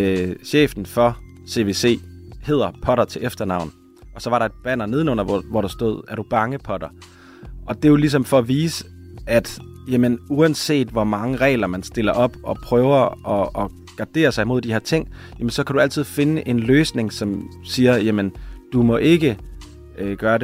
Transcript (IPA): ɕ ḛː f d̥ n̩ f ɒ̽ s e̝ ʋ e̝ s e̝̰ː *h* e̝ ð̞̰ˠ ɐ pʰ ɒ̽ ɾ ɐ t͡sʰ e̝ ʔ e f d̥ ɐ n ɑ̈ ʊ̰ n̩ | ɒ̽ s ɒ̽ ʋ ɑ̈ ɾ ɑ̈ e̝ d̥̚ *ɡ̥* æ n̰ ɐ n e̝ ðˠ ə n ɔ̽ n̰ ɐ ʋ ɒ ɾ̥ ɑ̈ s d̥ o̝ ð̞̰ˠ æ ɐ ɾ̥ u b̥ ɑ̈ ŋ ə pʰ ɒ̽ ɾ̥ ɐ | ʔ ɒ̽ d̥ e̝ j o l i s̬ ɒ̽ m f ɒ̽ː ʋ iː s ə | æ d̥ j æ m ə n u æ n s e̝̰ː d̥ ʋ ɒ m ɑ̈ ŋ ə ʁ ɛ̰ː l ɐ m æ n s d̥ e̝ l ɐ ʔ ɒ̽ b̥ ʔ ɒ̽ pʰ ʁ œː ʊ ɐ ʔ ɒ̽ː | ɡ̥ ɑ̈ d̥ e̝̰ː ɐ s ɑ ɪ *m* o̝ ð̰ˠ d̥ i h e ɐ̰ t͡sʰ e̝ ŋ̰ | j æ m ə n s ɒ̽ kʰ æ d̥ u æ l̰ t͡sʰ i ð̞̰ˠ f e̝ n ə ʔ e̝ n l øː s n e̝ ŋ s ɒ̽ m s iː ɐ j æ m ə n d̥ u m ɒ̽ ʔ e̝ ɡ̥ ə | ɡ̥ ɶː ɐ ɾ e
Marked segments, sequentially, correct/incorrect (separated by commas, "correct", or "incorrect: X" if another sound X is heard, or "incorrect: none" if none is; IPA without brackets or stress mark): correct, incorrect: b̥, correct